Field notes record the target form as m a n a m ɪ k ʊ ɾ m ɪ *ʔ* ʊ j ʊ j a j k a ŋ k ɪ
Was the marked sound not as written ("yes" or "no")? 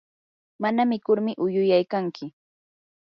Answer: no